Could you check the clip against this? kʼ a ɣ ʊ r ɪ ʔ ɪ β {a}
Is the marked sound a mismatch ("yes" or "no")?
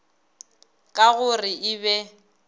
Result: yes